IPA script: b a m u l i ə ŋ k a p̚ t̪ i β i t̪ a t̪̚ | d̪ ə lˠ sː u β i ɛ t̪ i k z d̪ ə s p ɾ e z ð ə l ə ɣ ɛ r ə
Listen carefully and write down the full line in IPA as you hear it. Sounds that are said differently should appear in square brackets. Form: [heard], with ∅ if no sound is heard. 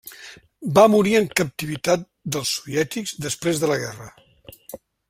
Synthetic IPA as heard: b a m u [ɾ] i ə ŋ k [ə] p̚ t̪ i β i t̪ a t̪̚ | d̪ ə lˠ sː u β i ɛ t̪ i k z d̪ ə s p ɾ e z ð ə l ə ɣ ɛ r ə